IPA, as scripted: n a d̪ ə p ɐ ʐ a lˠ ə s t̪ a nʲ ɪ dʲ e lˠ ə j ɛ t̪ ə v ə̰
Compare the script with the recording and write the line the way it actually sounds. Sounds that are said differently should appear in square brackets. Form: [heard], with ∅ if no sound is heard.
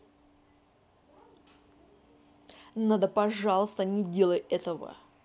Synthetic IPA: n a d̪ ə p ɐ ʐ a lˠ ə s t̪ [ə] nʲ ɪ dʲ e lˠ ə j ɛ t̪ ə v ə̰